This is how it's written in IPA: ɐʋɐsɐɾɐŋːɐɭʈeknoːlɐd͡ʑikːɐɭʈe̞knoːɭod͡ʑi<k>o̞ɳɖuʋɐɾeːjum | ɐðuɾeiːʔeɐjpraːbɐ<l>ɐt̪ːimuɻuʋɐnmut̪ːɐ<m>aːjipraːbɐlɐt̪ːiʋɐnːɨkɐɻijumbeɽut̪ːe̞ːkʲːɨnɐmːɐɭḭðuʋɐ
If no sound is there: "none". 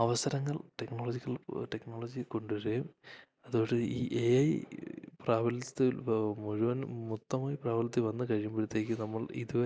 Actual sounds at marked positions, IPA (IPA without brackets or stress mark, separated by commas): k, l, m